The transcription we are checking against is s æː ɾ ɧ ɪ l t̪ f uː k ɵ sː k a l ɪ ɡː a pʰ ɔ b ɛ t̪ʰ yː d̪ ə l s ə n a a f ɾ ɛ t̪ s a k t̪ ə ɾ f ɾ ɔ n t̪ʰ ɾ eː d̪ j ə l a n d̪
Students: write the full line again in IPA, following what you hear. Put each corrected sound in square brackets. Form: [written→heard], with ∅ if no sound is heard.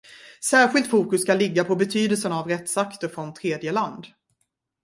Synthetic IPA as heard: s æː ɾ ɧ ɪ l t̪ f uː k ɵ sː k a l ɪ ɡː a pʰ ɔ b ɛ t̪ʰ yː d̪ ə l s ə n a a [f→v] ɾ ɛ t̪ s a k t̪ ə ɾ f ɾ ɔ n t̪ʰ ɾ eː d̪ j ə l a n d̪